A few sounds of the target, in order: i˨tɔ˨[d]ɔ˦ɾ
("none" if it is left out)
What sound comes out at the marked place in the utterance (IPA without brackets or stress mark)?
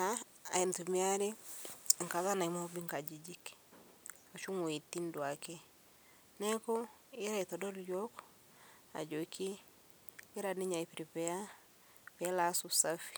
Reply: d